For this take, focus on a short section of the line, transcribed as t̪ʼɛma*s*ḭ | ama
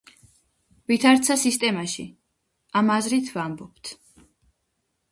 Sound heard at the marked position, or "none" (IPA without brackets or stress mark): ʃ